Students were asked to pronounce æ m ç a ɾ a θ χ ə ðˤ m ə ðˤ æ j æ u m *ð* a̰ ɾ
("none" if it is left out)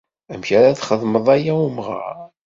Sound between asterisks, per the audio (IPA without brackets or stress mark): ʁ